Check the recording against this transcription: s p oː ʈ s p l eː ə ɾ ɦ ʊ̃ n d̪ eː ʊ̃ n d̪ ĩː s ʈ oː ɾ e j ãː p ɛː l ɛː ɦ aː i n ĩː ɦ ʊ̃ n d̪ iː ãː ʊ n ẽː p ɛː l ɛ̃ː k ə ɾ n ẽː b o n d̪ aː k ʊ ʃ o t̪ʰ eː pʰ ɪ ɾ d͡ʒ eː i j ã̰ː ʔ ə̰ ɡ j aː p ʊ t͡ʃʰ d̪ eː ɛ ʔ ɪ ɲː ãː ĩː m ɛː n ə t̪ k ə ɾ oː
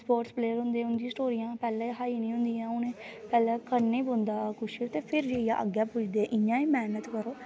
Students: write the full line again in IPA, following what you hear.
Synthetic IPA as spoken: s p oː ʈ s p l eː ə ɾ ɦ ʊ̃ n d̪ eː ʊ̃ n d̪ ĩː s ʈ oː ɾ i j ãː p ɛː l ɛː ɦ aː i n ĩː ɦ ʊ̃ n d̪ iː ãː ʊ n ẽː p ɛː l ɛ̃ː k ə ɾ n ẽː b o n d̪ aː k ʊ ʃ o t̪ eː pʰ ɪ ɾ d͡ʒ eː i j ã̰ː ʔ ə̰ ɡ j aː p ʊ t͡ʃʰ d̪ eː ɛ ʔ ɪ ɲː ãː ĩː m ɛː n ə t̪ k ə ɾ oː